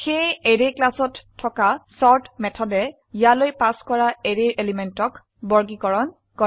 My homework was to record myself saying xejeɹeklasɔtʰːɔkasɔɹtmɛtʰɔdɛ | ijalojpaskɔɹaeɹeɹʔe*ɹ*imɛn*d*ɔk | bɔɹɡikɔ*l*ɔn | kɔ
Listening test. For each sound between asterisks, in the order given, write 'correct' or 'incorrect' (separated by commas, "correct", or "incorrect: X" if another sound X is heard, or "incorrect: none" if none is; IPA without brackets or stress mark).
incorrect: l, incorrect: t, incorrect: ɹ